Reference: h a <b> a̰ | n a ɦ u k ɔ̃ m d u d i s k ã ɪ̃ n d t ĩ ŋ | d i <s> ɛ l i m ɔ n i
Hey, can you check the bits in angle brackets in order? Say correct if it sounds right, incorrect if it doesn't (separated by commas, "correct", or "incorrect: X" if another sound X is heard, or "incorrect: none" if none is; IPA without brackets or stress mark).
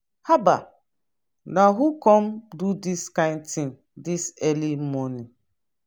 correct, correct